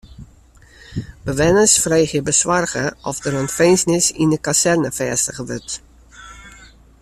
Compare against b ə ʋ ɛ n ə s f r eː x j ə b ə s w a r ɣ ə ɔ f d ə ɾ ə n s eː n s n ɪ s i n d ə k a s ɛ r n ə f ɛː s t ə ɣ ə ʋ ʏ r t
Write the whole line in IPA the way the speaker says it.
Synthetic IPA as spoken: b ə ʋ ɛ n ə s f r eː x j ə b ə s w a r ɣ ə ɔ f d ə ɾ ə n f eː n s n ɪ s i n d ə k a s ɛ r n ə f ɛː s t ə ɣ ə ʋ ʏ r t